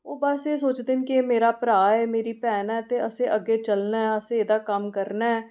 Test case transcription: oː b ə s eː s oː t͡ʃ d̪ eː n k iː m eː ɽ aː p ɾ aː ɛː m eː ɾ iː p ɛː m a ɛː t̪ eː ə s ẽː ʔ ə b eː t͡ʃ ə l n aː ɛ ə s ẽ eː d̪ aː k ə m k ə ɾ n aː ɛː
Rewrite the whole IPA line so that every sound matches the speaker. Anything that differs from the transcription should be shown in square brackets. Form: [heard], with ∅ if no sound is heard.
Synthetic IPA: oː b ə s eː s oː t͡ʃ d̪ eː n k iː m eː [ɾ] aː p ɾ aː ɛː m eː ɾ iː p ɛː [n] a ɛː t̪ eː ə s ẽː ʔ ə [ɡ] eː t͡ʃ ə l n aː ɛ ə s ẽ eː d̪ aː k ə m k ə ɾ n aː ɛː

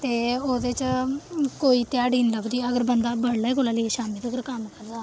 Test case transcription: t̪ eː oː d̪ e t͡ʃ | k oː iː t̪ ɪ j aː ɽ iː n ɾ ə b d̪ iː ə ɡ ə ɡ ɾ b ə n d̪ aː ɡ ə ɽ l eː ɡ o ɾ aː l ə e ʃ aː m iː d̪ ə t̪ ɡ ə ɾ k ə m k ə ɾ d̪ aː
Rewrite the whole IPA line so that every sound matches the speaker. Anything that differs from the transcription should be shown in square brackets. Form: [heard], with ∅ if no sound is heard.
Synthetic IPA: t̪ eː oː d̪ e t͡ʃ | k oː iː t̪ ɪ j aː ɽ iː n [l] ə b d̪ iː ə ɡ ə [∅] ɾ b ə n d̪ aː [b] ə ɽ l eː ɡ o [l] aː l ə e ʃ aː m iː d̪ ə [∅] ɡ ə ɾ k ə m k ə ɾ d̪ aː

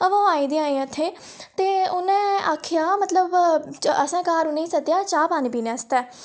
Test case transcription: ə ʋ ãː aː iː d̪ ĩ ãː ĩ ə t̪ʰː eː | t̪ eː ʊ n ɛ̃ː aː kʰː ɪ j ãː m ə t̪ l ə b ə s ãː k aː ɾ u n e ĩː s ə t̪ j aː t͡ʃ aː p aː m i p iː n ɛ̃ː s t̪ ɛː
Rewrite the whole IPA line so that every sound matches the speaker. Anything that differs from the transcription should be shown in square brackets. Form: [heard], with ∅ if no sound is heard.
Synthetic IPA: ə ʋ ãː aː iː d̪ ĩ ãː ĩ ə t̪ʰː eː | t̪ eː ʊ n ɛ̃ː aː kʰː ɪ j [aː] m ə t̪ l ə b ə s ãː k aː ɾ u n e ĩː s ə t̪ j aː t͡ʃ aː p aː [n] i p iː n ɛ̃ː s t̪ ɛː

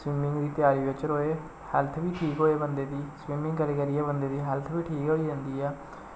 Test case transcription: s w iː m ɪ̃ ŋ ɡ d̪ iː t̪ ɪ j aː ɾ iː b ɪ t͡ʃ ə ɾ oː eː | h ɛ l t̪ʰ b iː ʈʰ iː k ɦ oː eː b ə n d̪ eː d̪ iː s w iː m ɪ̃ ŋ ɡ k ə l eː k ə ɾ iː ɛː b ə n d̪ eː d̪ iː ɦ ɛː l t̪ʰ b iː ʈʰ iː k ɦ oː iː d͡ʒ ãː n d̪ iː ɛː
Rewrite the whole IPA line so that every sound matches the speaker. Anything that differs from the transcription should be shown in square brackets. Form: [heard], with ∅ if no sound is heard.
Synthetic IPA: s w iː m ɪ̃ ŋ ɡ d̪ iː t̪ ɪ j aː ɾ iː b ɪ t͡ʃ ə ɾ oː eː | h ɛ l t̪ʰ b iː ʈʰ iː k ɦ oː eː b ə n d̪ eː d̪ iː s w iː m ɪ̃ ŋ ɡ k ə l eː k ə ɾ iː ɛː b ə n d̪ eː d̪ iː ɦ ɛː l t̪ʰ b iː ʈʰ iː k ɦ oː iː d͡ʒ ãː n d̪ iː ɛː

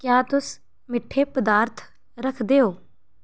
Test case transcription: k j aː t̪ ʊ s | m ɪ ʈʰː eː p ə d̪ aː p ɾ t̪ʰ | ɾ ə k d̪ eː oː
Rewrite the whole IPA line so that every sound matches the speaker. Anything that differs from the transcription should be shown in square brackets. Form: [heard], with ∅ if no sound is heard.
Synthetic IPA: k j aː t̪ ʊ s | m ɪ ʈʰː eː p ə d̪ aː [∅] ɾ t̪ʰ | ɾ ə [kʰ] d̪ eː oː

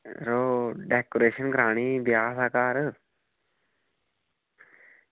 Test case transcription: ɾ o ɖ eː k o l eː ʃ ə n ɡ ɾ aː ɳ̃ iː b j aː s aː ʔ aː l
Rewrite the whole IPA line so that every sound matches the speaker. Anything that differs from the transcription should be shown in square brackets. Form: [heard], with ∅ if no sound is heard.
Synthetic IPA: ɾ o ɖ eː k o [ɾ] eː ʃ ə n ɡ ɾ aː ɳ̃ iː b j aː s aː [k] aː [ɾ]

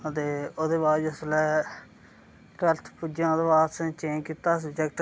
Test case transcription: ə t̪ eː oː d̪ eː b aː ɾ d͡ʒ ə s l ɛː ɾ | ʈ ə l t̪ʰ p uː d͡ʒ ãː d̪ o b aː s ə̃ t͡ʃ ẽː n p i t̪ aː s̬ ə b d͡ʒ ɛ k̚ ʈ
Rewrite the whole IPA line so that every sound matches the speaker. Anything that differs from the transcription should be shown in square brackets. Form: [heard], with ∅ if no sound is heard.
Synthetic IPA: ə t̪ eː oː d̪ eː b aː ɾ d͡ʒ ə s l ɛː [∅] | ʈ ə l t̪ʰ p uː d͡ʒ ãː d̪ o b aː s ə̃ t͡ʃ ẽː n [k] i t̪ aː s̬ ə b d͡ʒ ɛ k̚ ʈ

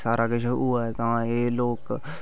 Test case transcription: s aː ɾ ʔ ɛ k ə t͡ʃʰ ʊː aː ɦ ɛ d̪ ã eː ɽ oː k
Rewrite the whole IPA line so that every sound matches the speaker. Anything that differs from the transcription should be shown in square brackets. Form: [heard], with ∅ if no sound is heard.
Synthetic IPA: s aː ɾ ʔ [a] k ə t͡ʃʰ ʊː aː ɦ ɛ [t̪] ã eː [l] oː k

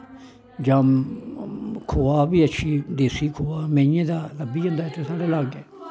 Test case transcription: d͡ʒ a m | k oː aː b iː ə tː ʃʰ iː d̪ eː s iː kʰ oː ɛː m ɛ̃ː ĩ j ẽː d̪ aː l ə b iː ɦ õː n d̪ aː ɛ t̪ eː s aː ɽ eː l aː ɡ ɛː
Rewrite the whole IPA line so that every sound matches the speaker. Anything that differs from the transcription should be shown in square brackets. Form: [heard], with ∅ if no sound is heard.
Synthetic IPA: d͡ʒ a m | [kʰ] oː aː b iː ə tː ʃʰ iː d̪ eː s iː kʰ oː [aː] m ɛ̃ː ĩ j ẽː d̪ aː l ə b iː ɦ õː n d̪ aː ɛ t̪ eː s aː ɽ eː l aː ɡ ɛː

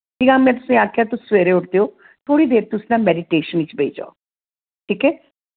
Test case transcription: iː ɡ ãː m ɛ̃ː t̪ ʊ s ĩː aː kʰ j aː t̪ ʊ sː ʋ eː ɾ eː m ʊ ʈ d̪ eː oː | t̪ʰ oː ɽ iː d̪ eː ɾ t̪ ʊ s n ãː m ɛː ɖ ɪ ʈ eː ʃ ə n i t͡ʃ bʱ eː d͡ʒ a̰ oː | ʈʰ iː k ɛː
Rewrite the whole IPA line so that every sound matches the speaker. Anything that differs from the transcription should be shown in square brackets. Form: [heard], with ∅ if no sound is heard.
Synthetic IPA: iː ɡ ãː m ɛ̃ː t̪ ʊ s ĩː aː kʰ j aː t̪ ʊ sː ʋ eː ɾ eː [∅] ʊ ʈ d̪ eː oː | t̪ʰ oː ɽ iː d̪ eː ɾ t̪ ʊ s n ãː m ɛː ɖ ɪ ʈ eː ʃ ə n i t͡ʃ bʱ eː d͡ʒ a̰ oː | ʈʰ iː k ɛː

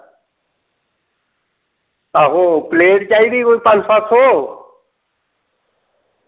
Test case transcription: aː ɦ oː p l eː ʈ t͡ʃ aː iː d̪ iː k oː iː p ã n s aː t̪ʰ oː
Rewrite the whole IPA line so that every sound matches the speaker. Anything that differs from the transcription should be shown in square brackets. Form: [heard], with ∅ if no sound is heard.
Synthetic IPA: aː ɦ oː p l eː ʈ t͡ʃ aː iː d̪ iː k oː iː p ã n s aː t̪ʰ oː

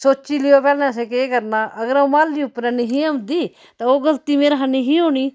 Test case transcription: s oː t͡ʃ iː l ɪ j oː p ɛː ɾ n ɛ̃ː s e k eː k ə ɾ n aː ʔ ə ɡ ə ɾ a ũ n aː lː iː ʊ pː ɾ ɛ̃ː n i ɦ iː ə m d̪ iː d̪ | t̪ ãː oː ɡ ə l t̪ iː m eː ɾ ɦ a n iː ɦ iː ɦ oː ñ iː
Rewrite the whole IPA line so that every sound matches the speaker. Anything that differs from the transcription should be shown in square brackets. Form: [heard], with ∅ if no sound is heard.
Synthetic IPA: s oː t͡ʃ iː l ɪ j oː p ɛː [l] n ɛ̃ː s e k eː k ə ɾ n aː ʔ ə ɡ ə ɾ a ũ [m] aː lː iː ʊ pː ɾ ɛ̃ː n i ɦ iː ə m d̪ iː [∅] | t̪ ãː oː ɡ ə l t̪ iː m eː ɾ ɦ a n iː ɦ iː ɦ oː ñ iː

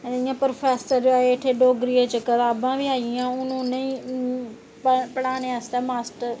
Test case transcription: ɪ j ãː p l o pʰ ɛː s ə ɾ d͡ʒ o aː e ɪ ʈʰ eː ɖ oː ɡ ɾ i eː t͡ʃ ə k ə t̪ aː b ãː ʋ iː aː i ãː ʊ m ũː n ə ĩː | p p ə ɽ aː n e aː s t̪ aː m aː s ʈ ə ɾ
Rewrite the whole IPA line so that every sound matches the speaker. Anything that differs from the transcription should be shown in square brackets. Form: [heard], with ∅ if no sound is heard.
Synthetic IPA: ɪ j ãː p [ɾ] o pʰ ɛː s ə ɾ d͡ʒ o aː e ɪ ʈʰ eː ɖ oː ɡ ɾ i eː t͡ʃ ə k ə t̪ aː b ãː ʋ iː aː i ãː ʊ [n] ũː n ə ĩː | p p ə ɽ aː n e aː s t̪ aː m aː s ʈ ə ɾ

